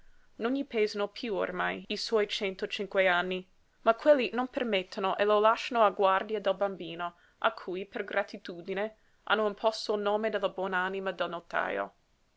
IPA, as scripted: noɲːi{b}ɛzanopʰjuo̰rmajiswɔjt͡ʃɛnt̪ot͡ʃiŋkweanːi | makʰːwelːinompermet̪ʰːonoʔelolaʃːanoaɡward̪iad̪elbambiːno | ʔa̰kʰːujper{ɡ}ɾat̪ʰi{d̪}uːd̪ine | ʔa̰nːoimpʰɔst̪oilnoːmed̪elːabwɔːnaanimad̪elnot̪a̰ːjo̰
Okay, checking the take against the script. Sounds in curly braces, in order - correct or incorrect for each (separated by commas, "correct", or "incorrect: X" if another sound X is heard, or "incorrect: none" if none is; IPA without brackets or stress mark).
incorrect: p, correct, incorrect: t̪